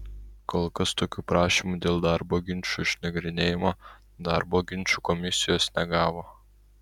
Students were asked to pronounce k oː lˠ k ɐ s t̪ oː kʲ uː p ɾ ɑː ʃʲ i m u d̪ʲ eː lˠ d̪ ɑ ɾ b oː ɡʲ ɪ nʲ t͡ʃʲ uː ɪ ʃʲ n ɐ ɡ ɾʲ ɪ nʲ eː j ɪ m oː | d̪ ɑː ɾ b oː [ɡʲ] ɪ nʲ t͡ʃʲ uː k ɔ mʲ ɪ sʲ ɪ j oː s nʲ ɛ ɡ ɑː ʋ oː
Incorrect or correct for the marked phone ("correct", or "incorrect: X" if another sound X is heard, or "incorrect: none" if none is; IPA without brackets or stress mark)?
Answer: correct